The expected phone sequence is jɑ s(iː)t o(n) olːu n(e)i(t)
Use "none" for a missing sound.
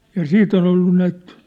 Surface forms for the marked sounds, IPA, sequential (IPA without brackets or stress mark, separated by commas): iː, n, æ, t